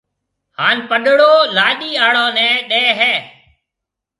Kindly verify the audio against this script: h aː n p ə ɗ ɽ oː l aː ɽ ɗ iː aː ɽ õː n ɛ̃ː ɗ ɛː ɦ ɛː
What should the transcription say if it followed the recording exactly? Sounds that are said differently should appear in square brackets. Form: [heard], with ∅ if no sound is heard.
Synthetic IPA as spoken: h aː n p ə ɗ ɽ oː l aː [∅] ɗ iː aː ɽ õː n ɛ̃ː ɗ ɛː ɦ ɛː